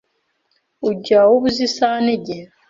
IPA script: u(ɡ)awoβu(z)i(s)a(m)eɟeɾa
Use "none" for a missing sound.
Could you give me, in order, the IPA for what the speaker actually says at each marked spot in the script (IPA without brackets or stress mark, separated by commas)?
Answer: ɟ, z, s, n